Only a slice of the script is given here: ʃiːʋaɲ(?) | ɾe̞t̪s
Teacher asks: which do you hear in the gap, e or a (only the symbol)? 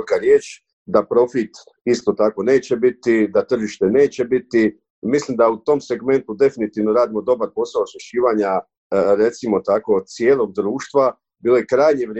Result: a